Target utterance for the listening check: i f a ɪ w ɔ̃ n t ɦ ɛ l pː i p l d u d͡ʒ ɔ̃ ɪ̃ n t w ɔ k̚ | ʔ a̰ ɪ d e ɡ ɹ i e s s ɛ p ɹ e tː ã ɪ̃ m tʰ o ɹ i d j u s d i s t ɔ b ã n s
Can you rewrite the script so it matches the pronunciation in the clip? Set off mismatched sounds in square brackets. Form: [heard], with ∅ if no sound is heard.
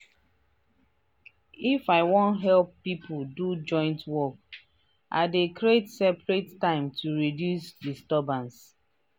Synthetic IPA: i f a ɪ w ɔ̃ n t ɦ ɛ l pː i p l d u d͡ʒ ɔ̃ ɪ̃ n t w ɔ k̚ | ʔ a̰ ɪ d e [k] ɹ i e [t] s ɛ p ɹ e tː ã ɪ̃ m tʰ [u] ɹ i d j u s d i s t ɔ b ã n s